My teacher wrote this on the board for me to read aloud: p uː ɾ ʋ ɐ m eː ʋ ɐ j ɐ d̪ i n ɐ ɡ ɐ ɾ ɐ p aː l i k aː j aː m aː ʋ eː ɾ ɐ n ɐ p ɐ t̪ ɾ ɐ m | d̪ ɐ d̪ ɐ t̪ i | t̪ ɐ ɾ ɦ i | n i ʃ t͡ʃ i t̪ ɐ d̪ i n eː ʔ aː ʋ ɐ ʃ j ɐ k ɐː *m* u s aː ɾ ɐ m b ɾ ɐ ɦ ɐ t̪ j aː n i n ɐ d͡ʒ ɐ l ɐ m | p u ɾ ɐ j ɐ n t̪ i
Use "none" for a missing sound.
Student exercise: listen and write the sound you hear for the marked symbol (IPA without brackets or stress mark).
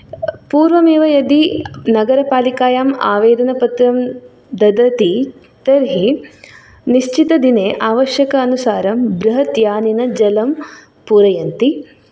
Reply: n